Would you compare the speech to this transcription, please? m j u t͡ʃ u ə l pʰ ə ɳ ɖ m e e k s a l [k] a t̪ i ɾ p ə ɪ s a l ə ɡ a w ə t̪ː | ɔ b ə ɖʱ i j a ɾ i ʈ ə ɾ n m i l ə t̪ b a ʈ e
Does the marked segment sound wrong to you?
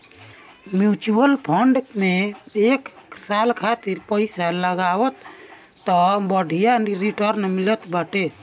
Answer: yes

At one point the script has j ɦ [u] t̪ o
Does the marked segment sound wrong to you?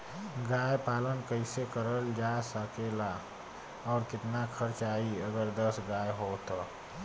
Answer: yes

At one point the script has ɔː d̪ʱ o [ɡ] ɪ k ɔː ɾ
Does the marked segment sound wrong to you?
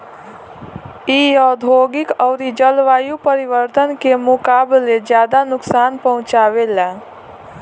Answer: no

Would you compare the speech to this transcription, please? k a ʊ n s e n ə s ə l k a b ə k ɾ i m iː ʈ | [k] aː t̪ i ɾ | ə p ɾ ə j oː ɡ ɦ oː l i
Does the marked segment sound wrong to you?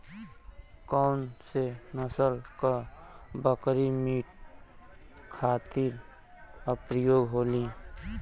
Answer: yes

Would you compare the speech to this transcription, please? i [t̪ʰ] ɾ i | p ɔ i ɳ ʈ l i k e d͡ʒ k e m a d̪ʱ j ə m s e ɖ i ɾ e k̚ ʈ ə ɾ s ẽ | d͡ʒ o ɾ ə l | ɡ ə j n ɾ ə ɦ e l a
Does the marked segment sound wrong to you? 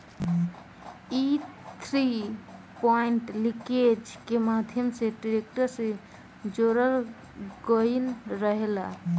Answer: no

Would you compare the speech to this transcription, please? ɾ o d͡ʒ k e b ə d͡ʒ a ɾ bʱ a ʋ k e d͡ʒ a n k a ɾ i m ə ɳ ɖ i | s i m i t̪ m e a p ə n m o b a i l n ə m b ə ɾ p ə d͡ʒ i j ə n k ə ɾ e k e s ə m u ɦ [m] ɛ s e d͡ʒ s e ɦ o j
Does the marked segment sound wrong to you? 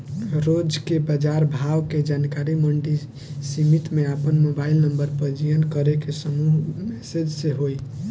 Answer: no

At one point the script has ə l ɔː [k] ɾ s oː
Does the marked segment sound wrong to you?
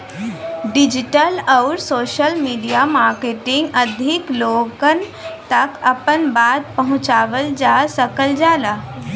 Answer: yes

